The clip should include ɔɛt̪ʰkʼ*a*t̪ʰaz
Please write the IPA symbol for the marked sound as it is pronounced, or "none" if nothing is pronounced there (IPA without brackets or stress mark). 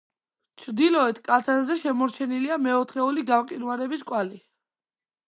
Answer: a